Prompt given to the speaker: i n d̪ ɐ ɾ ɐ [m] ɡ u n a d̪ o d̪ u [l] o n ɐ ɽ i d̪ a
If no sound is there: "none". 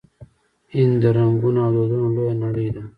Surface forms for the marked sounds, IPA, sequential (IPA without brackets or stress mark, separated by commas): ŋ, l